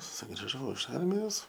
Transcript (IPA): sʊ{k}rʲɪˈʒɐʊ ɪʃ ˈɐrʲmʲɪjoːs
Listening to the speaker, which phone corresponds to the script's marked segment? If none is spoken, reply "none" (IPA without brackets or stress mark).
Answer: ɡ